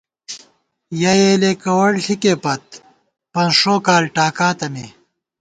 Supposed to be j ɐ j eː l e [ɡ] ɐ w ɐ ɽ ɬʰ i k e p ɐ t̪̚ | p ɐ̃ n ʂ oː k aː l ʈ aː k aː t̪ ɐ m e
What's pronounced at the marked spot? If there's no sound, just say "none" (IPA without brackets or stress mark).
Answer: k